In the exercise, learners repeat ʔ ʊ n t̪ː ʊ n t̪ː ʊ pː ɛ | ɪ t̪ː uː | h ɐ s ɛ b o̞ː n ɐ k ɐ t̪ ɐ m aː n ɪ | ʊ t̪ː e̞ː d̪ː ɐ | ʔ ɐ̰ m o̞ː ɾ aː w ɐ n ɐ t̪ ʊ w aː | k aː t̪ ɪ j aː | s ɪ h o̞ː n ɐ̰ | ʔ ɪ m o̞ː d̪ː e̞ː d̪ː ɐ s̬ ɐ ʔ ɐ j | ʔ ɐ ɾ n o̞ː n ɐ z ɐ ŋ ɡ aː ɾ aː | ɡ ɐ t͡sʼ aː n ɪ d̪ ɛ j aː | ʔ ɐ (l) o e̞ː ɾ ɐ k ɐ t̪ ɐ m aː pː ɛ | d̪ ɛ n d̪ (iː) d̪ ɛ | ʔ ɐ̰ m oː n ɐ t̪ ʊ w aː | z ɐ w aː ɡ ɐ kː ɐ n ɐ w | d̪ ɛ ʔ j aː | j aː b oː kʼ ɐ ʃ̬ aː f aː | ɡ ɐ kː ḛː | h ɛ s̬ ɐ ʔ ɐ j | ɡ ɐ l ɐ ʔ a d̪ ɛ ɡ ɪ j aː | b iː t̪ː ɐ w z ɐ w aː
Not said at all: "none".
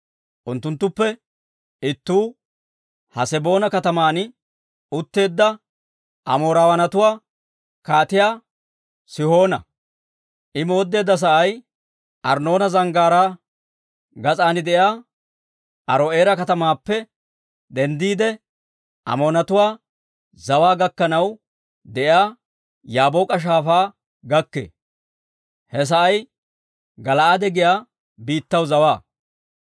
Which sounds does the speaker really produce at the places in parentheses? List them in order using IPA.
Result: ɾ, iː

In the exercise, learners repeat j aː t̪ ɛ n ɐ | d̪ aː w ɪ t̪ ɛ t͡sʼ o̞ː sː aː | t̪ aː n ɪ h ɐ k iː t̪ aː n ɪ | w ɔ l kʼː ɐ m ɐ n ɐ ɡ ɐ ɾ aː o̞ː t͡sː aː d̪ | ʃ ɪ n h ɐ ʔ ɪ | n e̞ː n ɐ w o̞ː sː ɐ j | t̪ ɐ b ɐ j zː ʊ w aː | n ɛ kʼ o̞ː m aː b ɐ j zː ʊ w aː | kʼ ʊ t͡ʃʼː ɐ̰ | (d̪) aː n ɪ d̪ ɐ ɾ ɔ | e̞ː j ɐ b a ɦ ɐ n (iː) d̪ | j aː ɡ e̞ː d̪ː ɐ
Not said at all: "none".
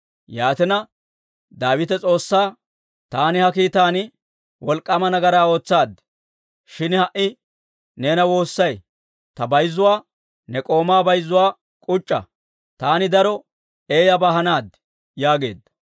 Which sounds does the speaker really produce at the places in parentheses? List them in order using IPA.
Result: t̪, aː

